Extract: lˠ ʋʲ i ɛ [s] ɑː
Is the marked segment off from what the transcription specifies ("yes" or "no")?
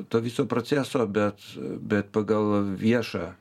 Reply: yes